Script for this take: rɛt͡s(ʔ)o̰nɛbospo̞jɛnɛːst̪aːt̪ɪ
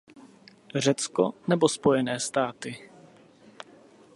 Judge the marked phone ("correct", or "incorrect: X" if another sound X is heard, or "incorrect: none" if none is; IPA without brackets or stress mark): incorrect: k